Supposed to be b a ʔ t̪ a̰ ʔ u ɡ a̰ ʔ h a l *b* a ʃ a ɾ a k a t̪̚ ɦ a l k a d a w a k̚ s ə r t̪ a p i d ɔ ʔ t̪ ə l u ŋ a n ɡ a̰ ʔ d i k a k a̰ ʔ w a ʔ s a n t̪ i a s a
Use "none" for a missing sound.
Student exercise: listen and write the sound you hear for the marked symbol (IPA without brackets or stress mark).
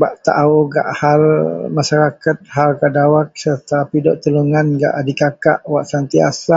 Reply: m